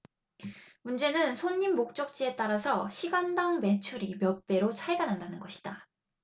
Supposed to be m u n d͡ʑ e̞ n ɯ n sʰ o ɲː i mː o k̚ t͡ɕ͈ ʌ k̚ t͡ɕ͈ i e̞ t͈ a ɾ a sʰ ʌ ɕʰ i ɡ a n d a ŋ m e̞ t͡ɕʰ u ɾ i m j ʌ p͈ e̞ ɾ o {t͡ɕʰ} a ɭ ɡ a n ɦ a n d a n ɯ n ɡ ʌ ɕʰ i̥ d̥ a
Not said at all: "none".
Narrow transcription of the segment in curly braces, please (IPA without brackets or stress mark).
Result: t͡ɕʰ